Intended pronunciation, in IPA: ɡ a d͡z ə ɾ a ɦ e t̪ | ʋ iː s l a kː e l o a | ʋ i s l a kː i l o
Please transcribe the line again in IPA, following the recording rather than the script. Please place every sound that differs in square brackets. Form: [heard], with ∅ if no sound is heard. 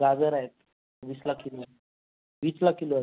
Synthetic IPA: ɡ a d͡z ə ɾ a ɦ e t̪ | ʋ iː s l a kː [i] l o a | ʋ i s l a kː i l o